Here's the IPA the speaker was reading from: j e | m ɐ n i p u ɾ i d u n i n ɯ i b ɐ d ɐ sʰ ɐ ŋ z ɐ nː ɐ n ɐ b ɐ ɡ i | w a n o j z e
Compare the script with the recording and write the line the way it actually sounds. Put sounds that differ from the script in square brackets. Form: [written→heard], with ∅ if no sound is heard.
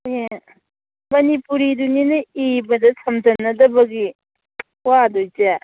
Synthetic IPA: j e | m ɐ n i p u ɾ i d u n i n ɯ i b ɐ d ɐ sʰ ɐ [ŋ→m] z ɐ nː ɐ [n→d] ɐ b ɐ ɡ i | w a [n→d] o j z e